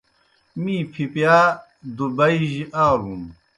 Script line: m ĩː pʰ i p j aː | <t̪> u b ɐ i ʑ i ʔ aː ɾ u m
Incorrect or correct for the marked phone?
incorrect: d̪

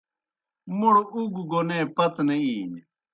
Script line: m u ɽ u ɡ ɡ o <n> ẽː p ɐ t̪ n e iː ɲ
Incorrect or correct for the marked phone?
correct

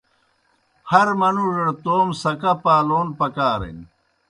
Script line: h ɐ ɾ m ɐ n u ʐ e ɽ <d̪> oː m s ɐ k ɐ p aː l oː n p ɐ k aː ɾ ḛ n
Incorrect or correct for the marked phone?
incorrect: t̪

